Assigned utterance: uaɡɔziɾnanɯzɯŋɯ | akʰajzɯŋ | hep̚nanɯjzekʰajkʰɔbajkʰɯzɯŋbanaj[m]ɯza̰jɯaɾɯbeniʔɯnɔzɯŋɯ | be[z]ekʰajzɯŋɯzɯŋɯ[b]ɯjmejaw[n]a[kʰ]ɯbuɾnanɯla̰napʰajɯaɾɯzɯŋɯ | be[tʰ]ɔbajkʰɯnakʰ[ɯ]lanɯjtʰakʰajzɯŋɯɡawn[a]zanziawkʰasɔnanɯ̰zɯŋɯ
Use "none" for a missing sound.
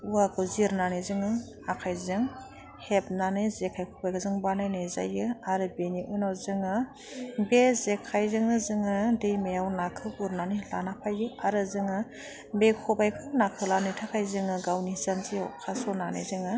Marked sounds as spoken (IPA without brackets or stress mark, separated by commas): n, z, d, n, kʰ, kʰ, ɯ, i